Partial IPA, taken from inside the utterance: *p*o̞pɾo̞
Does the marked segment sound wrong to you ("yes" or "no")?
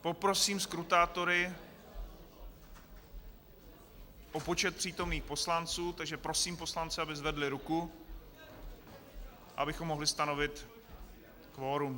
no